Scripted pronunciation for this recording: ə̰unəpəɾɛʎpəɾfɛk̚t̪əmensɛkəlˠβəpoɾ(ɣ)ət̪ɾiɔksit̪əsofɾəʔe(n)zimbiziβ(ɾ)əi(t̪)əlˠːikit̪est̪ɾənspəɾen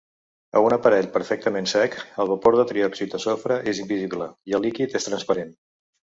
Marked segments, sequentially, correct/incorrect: incorrect: ð, incorrect: none, incorrect: l, incorrect: none

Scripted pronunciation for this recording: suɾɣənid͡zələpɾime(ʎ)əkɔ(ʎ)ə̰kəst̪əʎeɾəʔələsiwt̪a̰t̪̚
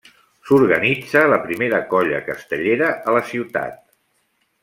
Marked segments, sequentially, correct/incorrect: incorrect: ɾ, correct

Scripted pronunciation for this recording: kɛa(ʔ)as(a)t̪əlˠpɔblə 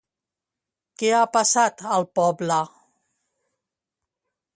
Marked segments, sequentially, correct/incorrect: incorrect: p, correct

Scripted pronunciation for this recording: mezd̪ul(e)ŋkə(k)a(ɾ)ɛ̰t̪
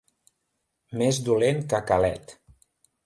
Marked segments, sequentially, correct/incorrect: correct, correct, incorrect: l

